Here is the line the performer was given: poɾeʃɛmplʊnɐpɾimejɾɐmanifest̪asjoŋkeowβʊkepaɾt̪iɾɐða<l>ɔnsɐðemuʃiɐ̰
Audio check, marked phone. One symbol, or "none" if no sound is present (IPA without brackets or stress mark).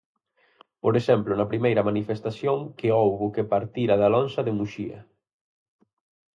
l